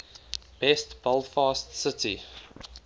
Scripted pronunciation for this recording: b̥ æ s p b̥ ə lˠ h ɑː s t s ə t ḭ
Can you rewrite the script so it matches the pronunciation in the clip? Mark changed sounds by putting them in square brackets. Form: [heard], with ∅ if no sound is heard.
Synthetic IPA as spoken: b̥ [ɛ] s [t] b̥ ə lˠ [f] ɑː s t s ə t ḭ